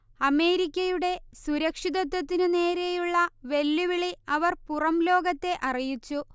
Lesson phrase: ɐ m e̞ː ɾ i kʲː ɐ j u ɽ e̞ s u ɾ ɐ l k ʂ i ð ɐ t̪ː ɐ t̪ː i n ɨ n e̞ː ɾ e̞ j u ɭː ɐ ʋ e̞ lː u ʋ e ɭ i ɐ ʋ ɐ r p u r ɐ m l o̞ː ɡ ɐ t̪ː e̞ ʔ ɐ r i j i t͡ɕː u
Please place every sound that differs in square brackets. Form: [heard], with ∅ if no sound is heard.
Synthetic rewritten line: ɐ m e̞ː ɾ i kʲː ɐ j u ɽ e̞ s u ɾ ɐ [∅] k ʂ i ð ɐ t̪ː ɐ t̪ː i n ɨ n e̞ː ɾ e̞ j u ɭː ɐ ʋ e̞ lː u ʋ [i] ɭ i ɐ ʋ ɐ r p u r ɐ m l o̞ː ɡ ɐ t̪ː e̞ ʔ ɐ r i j i t͡ɕː u